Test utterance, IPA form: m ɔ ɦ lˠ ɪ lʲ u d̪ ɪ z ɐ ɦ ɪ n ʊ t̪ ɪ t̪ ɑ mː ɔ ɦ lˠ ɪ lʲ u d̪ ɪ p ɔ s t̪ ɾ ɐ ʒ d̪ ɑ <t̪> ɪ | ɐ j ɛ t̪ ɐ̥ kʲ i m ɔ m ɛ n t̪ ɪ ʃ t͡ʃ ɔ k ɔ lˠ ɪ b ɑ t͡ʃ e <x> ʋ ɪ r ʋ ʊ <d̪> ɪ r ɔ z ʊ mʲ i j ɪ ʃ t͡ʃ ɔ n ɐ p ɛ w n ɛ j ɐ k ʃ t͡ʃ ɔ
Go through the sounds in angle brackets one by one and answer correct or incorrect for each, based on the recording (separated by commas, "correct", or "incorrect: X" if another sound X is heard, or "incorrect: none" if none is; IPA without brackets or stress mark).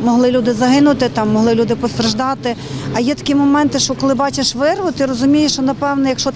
correct, incorrect: ʃ, incorrect: t̪